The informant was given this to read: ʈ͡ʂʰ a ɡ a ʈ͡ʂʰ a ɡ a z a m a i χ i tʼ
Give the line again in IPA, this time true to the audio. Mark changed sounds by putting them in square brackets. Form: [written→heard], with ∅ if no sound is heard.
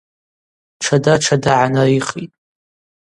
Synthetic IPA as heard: ʈ͡ʂʰ a [ɡ→d] a ʈ͡ʂʰ a [ɡ→d] a [z→ʕ] a [m→n] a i χ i tʼ